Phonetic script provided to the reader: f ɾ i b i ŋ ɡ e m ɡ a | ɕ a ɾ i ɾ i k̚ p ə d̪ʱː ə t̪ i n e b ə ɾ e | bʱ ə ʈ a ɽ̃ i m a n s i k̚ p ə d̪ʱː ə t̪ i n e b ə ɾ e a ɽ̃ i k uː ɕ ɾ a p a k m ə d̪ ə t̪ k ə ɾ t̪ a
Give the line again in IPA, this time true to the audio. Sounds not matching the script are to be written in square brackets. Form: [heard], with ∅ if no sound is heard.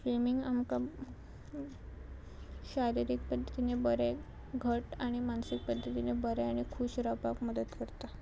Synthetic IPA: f ɾ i [m] i ŋ ɡ [a] m [k] a | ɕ a ɾ i ɾ i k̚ p ə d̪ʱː ə t̪ i n e b ə ɾ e | [ɡʱ] ə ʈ a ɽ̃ i m a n s i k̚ p ə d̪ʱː ə t̪ i n e b ə ɾ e a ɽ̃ i [kʰ] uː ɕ ɾ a p a k m ə d̪ ə t̪ k ə ɾ t̪ a